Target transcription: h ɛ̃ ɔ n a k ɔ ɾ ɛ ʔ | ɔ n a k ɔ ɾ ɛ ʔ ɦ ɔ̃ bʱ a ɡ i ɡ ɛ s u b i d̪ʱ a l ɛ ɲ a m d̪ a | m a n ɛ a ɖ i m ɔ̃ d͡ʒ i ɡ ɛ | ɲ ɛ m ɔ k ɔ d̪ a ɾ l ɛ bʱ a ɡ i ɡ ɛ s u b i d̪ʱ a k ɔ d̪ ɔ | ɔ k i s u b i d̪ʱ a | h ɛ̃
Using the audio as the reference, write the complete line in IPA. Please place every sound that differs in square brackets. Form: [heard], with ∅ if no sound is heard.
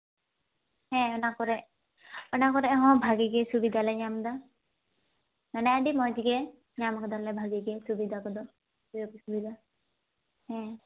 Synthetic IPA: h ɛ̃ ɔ n a k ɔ ɾ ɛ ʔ | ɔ n a k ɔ ɾ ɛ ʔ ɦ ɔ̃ bʱ a ɡ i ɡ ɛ s u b i d̪ʱ a l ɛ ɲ a m d̪ a | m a n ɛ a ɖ i m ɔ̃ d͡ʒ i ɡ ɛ | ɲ [a] m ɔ k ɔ d̪ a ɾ l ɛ bʱ a ɡ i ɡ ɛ s u b i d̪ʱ a k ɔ d̪ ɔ | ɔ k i s u b i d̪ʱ a | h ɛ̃

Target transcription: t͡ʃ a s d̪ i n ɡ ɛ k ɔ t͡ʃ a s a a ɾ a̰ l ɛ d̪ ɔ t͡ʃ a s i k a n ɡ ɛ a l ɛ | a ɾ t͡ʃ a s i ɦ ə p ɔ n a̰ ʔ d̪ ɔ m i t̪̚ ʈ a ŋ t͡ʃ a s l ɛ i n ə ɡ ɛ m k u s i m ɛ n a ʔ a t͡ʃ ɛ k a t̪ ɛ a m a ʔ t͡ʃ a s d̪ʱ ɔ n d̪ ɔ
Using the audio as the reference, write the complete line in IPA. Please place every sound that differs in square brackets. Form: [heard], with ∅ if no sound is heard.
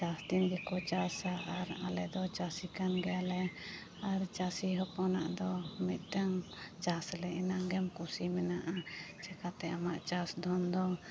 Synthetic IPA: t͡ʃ a s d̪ i n ɡ ɛ k ɔ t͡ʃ a s a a ɾ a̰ l ɛ d̪ ɔ t͡ʃ a s i k a n ɡ ɛ a l ɛ | a ɾ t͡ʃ a s i ɦ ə p ɔ n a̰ ʔ d̪ ɔ m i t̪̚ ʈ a ŋ t͡ʃ a s l ɛ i n [a] ɡ ɛ m k u s i m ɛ n a ʔ a t͡ʃ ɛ k a t̪ ɛ a m a ʔ t͡ʃ a s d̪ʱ ɔ n d̪ ɔ

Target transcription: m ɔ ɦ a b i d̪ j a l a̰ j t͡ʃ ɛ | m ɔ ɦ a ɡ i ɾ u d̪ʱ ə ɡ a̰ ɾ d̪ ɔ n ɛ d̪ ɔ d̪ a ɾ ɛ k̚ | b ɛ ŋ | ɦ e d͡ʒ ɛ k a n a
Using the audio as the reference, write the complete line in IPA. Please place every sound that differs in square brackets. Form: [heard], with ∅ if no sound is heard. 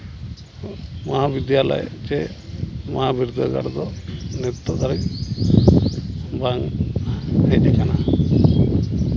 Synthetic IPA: m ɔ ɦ a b i d̪ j a l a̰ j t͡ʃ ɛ | m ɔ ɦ a [b] i ɾ u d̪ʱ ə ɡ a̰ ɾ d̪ ɔ n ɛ [t̪] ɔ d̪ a ɾ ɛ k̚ | b [a] ŋ | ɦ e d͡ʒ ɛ k a n a

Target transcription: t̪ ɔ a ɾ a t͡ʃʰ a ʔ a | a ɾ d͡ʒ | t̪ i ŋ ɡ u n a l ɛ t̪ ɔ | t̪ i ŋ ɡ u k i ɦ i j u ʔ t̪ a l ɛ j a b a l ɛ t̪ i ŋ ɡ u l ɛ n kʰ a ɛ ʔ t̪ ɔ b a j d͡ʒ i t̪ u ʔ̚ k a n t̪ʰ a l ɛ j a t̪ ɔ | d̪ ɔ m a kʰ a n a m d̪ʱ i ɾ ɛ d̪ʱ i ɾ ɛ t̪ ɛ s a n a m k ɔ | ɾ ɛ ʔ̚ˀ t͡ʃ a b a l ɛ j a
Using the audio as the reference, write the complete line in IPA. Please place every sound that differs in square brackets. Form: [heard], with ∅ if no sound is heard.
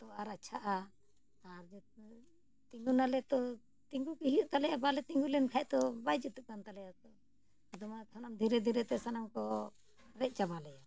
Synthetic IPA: t̪ ɔ a ɾ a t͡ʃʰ a ʔ a | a ɾ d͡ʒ | t̪ i ŋ ɡ u n a l ɛ t̪ ɔ | t̪ i ŋ ɡ u k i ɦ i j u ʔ t̪ a l ɛ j a b a l ɛ t̪ i ŋ ɡ u l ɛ n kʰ a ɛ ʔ t̪ ɔ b a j d͡ʒ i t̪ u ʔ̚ k a n [t̪] a l ɛ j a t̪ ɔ | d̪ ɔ m a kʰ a n a m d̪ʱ i ɾ ɛ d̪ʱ i ɾ ɛ t̪ ɛ s a n a m k ɔ | ɾ ɛ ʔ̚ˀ t͡ʃ a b a l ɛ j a

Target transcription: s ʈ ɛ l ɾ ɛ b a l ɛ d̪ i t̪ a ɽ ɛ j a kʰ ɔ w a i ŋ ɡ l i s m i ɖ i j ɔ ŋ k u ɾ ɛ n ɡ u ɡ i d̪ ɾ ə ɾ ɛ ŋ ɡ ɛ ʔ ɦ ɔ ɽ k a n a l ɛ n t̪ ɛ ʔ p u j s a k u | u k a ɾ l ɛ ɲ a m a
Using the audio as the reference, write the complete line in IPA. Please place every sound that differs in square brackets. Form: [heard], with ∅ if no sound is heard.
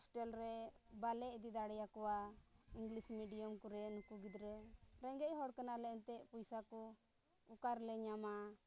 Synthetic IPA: s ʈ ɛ l ɾ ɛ b a l ɛ d̪ i [d̪] a ɽ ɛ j a [k] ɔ w a i ŋ ɡ l i s m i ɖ i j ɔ [m] k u ɾ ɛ n [k] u ɡ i d̪ ɾ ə ɾ ɛ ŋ ɡ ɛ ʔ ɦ ɔ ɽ k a n a l ɛ n t̪ ɛ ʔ p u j s a k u | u k a ɾ l ɛ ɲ a m a

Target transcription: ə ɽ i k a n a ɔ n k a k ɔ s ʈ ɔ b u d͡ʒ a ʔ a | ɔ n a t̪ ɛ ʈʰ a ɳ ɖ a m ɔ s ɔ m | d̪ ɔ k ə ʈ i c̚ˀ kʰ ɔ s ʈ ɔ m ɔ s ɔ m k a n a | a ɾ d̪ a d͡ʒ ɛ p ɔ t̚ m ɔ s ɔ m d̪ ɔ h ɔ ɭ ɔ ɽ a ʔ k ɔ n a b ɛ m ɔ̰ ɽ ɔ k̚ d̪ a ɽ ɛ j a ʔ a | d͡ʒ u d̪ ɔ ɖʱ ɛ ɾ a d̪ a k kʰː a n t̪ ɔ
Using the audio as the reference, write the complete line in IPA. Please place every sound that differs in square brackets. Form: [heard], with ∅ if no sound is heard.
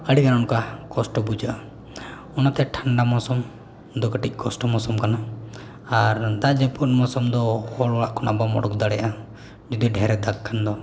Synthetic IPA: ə ɽ i k a n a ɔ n k a k ɔ s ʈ ɔ b u d͡ʒ a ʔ a | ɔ n a t̪ ɛ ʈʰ a ɳ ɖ a m ɔ s ɔ m | d̪ ɔ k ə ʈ i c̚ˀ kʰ ɔ s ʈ ɔ m ɔ s ɔ m k a n a | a ɾ d̪ a d͡ʒ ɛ p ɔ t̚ m ɔ s ɔ m d̪ ɔ h ɔ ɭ ɔ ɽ a ʔ k ɔ n a b [a] m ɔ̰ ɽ ɔ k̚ d̪ a ɽ ɛ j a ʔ a | d͡ʒ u d̪ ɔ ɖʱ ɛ ɾ [ɛ] d̪ a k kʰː a n [d̪] ɔ

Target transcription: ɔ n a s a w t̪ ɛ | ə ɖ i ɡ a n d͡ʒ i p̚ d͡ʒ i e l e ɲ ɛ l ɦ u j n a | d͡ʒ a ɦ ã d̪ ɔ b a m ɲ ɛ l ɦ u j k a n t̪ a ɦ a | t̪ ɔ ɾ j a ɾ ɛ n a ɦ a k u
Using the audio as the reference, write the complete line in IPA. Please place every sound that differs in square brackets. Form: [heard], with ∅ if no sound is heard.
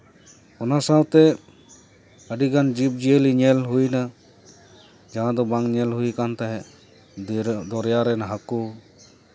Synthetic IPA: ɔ n a s a w t̪ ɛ | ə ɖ i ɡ a n d͡ʒ i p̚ d͡ʒ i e l [i] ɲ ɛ l ɦ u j n a | d͡ʒ a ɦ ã d̪ ɔ b a [ŋ] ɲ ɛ l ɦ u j k a n t̪ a ɦ [ɛ] | [d̪] ɔ ɾ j a ɾ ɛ n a ɦ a k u

